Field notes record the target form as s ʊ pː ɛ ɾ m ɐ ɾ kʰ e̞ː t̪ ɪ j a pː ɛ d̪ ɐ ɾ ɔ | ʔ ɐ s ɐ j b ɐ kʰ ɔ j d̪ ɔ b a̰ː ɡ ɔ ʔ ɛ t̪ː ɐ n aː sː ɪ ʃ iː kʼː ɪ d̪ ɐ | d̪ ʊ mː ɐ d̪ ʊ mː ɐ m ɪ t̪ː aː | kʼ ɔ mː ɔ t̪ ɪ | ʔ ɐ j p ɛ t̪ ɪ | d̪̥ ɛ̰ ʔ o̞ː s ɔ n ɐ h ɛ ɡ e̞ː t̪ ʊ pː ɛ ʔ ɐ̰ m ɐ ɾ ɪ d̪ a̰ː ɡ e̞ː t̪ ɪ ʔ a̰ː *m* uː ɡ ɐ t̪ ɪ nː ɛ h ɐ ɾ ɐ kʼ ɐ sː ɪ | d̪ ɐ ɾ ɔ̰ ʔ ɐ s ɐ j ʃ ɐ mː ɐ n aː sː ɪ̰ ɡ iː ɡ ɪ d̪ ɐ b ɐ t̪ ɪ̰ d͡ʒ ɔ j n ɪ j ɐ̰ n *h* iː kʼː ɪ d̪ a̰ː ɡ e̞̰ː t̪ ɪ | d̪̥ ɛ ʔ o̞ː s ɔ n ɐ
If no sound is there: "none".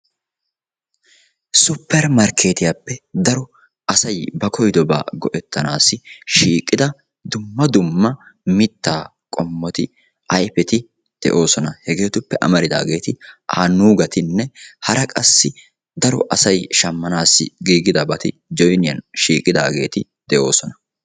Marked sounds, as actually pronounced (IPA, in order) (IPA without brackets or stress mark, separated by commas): n, ʃ